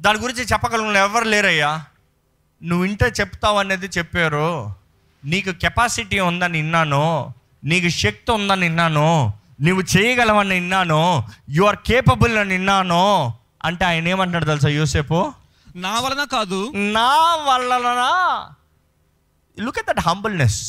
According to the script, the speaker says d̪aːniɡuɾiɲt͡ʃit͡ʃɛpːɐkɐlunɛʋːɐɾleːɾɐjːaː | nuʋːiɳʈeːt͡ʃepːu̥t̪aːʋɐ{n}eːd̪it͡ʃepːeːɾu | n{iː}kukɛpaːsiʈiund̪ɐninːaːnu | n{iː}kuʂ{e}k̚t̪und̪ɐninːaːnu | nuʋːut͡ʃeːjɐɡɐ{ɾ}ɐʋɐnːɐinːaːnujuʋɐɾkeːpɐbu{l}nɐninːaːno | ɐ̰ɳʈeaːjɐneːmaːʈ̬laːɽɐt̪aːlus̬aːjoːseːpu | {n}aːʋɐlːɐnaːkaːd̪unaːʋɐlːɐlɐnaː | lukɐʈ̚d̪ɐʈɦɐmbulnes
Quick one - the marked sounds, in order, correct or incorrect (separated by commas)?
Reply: correct, correct, correct, correct, incorrect, correct, correct